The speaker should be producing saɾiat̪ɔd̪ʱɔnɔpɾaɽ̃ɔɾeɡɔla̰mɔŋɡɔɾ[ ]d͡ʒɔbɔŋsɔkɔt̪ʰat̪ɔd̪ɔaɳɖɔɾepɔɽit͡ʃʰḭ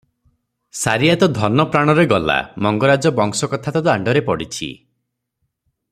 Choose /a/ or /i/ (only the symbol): a